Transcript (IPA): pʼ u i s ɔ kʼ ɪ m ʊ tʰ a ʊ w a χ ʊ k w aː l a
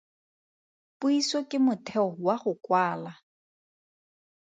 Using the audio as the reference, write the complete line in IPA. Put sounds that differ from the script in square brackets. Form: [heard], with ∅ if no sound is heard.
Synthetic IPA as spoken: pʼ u i s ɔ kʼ ɪ m ʊ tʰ [ɛ] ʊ w a χ ʊ k w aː l a